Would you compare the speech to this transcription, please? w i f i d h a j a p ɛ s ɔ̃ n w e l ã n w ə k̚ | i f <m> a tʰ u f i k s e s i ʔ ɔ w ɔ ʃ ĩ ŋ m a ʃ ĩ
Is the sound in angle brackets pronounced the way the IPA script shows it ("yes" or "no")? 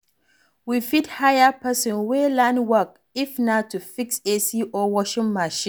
no